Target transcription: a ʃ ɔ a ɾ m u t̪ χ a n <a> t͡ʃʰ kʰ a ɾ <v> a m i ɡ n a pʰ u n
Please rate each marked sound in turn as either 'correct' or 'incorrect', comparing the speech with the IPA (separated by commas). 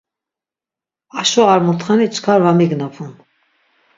incorrect, correct